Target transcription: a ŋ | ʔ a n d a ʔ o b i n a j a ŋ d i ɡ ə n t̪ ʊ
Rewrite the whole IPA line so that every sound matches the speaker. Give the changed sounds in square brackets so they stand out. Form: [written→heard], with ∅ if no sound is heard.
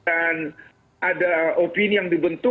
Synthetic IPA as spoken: a [ŋ→n] | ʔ a [n→∅] d a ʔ o [b→p] i n [a→i] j a ŋ d i [ɡ→b] ə n t̪ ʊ